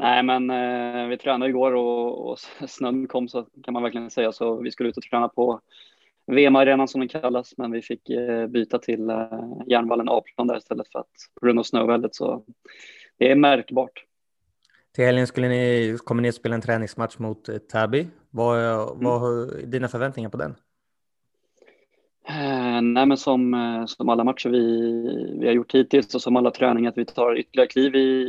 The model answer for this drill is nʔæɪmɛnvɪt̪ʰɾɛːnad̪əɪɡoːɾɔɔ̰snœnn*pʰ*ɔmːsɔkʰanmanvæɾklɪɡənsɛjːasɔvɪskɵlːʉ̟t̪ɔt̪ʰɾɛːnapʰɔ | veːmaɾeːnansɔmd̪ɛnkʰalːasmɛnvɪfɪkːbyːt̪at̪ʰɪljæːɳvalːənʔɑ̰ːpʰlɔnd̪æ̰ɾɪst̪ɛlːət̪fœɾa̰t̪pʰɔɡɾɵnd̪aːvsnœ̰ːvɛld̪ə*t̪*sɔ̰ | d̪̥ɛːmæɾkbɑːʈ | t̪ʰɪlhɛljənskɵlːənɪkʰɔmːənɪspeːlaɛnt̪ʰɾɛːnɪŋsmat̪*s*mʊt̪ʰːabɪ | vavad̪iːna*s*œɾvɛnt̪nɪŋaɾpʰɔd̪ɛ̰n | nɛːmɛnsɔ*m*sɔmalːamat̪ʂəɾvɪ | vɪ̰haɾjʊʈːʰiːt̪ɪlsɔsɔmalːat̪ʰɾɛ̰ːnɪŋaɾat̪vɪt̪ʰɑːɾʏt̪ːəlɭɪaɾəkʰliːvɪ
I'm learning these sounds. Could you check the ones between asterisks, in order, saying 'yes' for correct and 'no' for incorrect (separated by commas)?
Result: no, yes, no, no, yes